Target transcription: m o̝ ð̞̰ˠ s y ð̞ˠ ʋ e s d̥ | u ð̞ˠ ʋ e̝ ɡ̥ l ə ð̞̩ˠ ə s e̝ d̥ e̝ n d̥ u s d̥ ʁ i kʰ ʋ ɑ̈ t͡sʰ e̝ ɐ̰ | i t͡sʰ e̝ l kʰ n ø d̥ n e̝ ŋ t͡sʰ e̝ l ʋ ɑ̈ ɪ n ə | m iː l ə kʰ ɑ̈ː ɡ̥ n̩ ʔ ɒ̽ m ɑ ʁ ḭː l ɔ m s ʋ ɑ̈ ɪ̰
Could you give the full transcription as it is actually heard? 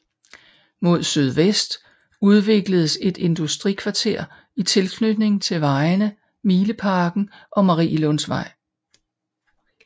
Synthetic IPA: m o̝ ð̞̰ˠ s y ð̞ˠ ʋ e s d̥ | u ð̞ˠ ʋ e̝ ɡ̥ l ə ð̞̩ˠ ə s e̝ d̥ e̝ n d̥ u s d̥ ʁ i kʰ ʋ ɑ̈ t͡sʰ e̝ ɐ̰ | i t͡sʰ e̝ l kʰ n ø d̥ n e̝ ŋ t͡sʰ e̝ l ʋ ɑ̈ ɪ n ə | m iː l ə pʰ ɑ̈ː ɡ̥ n̩ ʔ ɒ̽ m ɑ ʁ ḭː l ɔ n s ʋ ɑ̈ ɪ̰